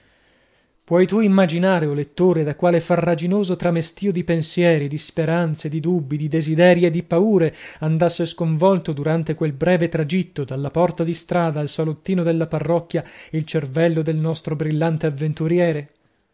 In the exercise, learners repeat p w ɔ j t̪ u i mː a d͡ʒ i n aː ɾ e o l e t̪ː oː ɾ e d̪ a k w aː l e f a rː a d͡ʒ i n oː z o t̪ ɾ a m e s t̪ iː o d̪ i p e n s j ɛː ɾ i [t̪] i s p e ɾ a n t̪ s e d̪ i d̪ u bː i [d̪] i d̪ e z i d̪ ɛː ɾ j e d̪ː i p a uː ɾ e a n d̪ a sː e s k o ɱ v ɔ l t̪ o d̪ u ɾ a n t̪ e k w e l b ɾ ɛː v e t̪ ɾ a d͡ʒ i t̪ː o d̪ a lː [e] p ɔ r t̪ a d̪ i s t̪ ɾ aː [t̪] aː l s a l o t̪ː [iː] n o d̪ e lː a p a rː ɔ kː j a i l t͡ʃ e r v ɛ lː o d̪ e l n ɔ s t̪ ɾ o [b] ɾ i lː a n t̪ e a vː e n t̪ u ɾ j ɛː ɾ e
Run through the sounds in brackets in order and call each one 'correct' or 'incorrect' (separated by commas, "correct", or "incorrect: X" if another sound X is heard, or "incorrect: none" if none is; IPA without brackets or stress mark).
incorrect: d̪, correct, incorrect: a, incorrect: d̪, correct, correct